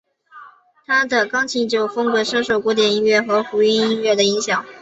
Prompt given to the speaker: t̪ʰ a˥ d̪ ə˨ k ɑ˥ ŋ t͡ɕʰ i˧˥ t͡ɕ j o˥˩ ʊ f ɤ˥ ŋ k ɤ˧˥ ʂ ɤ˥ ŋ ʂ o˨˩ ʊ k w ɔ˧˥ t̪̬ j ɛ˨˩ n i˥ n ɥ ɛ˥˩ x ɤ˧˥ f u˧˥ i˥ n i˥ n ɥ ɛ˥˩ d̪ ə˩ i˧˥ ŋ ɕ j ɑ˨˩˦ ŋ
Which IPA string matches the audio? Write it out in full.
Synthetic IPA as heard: t̪ʰ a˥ d̪ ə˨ k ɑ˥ ŋ t͡ɕʰ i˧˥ t͡ɕ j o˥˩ ʊ f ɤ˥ ŋ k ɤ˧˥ ʂ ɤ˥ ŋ ʂ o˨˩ ʊ k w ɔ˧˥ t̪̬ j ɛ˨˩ n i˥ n ɥ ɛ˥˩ x ɤ˧˥ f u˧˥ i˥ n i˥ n ɥ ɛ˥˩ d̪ ə˩ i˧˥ ŋ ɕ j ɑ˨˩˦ ŋ